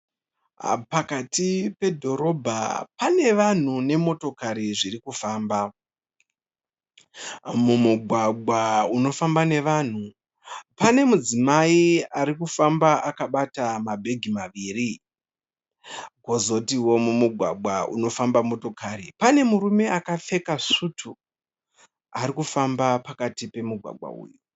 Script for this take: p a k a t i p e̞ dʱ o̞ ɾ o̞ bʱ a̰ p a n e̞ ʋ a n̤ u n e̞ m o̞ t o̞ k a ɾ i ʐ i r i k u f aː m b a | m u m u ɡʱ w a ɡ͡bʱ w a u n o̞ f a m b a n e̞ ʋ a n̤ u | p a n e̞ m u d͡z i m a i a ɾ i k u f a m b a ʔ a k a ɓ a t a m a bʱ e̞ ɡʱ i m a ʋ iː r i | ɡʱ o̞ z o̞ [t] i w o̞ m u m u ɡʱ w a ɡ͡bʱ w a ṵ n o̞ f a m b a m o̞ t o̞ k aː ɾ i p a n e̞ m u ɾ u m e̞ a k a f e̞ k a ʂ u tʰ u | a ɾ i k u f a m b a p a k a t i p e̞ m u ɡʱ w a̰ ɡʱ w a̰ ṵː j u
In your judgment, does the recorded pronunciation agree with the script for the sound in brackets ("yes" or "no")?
yes